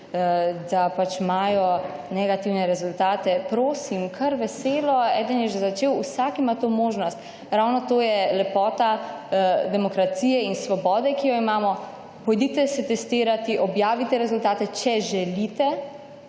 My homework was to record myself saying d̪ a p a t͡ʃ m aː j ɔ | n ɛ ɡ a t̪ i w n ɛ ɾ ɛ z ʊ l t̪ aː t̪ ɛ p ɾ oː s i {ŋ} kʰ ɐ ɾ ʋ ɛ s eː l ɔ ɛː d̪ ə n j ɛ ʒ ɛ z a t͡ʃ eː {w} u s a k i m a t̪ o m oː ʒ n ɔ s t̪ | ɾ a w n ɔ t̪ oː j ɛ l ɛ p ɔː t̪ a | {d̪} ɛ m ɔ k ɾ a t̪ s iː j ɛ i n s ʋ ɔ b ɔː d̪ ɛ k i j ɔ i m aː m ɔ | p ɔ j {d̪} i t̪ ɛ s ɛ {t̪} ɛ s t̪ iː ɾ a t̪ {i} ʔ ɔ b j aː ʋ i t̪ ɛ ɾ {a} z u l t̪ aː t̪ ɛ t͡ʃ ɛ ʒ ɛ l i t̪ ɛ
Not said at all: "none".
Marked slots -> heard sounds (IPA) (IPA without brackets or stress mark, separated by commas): m, w, d̪, d̪, t̪, i, ɛ